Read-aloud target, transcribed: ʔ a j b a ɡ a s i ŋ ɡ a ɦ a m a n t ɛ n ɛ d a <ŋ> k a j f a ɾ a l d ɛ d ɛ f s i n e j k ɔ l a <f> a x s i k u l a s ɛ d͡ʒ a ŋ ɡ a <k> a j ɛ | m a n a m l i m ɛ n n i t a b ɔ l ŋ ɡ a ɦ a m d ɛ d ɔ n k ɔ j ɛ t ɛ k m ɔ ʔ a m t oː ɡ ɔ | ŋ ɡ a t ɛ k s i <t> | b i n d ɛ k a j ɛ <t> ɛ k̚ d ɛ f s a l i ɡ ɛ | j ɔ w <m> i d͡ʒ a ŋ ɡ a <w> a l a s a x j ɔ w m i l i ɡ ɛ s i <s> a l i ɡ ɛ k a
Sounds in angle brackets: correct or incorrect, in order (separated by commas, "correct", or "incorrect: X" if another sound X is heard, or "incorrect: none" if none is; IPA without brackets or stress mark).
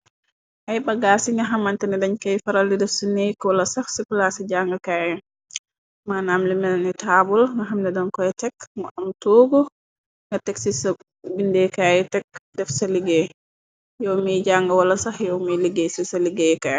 incorrect: ɲ, incorrect: s, correct, incorrect: s, correct, correct, correct, correct